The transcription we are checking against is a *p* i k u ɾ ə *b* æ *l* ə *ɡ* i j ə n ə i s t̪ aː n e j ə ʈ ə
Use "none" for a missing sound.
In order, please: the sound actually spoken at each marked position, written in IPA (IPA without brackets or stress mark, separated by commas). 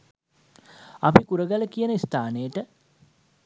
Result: p, ɡ, l, k